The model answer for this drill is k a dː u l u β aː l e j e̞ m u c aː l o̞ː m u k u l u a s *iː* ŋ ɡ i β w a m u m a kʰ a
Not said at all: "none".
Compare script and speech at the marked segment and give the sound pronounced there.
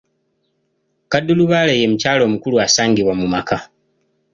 aː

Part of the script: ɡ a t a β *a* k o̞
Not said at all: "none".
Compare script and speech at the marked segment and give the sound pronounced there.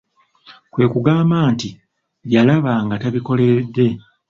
i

